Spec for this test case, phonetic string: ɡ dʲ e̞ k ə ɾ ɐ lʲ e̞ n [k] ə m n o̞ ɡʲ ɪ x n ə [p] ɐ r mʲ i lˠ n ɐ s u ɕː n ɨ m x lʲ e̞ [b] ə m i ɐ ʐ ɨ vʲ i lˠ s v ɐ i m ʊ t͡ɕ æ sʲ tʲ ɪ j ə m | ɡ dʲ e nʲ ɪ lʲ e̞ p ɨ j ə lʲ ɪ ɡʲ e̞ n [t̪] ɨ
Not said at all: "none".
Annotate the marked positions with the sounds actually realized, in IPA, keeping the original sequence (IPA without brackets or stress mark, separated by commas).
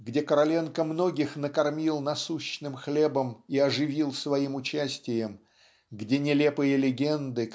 k, k, b, d̪